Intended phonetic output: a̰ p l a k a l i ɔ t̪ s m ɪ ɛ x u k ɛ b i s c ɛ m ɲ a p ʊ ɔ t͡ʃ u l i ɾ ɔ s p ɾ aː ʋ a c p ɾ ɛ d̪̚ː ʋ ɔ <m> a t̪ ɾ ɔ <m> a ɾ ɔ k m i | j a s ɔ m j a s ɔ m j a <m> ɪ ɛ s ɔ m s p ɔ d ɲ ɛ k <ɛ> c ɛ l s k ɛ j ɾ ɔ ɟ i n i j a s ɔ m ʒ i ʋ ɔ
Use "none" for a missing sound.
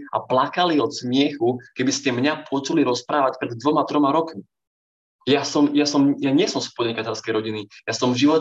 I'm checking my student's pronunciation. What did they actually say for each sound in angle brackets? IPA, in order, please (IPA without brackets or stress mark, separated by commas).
m, m, ɲ, a